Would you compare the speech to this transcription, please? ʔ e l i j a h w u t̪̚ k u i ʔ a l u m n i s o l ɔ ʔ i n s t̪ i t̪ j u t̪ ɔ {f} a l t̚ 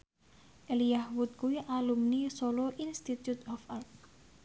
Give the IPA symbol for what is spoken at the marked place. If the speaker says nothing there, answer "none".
f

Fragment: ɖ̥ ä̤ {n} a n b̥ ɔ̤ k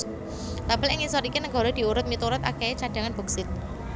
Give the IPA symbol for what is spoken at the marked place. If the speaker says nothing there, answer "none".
ŋ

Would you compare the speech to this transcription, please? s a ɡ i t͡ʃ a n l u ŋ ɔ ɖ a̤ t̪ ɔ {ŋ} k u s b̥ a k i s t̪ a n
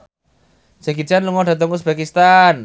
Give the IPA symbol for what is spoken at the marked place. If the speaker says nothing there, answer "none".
ŋ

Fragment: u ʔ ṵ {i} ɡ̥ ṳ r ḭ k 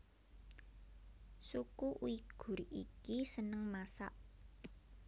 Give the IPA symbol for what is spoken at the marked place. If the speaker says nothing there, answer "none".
i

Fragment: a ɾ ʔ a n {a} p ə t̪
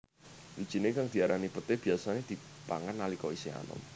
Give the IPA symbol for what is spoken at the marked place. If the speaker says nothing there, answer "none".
i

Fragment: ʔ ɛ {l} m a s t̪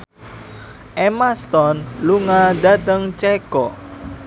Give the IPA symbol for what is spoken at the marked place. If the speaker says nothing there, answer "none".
none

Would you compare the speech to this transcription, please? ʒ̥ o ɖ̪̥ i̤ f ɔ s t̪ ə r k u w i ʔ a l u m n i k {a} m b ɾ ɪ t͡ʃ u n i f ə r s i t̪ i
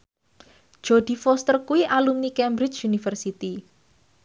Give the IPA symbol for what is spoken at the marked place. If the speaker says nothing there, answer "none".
ɛ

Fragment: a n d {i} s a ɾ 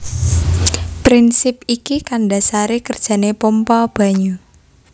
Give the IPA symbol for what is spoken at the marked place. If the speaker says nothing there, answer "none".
a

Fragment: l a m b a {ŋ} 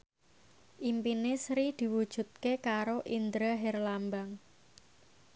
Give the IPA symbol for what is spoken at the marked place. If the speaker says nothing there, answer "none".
ŋ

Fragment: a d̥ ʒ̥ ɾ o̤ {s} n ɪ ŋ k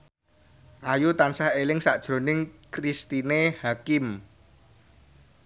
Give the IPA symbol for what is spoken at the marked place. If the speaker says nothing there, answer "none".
none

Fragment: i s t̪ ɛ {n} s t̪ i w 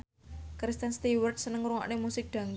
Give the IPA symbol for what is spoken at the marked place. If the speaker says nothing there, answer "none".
n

